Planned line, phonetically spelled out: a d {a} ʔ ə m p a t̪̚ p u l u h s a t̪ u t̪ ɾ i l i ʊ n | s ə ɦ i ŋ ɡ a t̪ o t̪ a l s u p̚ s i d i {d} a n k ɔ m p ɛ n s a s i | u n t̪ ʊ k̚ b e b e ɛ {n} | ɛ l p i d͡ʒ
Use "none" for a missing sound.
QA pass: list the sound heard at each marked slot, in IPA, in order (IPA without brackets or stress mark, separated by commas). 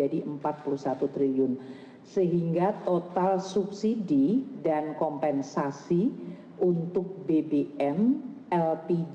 i, d, m